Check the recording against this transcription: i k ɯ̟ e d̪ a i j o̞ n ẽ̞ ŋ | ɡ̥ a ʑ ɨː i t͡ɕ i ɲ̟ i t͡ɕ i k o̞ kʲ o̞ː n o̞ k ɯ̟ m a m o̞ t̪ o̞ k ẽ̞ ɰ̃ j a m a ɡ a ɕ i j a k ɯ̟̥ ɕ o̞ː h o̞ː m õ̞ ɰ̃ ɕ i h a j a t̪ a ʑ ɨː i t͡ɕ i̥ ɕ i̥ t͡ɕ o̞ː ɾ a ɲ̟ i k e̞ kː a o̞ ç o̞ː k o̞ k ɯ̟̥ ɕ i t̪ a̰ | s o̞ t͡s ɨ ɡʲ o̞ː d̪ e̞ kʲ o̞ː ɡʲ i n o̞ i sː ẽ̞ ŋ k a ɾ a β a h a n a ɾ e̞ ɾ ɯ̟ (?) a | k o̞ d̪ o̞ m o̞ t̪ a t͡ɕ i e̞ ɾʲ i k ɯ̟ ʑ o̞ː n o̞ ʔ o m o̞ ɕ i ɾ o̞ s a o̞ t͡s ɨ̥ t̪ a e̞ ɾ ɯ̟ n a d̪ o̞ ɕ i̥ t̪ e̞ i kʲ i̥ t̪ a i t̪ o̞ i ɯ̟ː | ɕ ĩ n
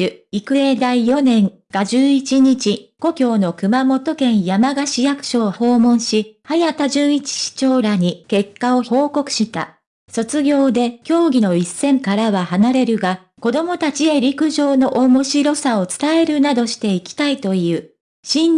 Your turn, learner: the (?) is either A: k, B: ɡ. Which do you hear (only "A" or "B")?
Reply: B